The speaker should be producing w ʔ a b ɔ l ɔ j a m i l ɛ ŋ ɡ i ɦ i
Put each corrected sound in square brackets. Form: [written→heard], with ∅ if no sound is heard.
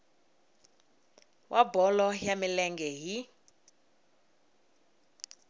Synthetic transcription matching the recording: w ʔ a b ɔ l ɔ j a m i l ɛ ŋ ɡ [i→ɛ] ɦ i